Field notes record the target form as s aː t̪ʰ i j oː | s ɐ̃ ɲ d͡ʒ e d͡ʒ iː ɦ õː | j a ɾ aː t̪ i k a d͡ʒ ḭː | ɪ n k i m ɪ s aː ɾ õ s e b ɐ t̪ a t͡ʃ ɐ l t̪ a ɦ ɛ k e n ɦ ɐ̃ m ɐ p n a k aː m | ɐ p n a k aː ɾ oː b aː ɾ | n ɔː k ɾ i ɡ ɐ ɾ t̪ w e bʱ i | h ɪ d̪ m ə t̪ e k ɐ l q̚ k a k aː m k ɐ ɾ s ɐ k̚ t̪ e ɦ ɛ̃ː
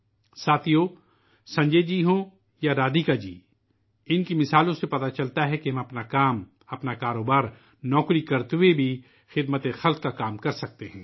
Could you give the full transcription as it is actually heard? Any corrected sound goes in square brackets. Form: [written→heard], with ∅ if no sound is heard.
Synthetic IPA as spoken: s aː t̪ʰ i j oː | s ɐ̃ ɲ d͡ʒ e d͡ʒ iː ɦ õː | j a ɾ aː [t̪→d̪] i k a d͡ʒ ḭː | ɪ n k i m ɪ s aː [ɾ→l] õ s e [b→p] ɐ t̪ a t͡ʃ ɐ l t̪ a ɦ ɛ k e [n→∅] ɦ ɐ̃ m ɐ p n a k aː m | ɐ p n a k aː ɾ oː b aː ɾ | n ɔː k ɾ i [ɡ→k] ɐ ɾ t̪ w e bʱ i | [h→x] ɪ d̪ m ə t̪ e [k→x] ɐ l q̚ k a k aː m k ɐ ɾ s ɐ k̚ t̪ e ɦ ɛ̃ː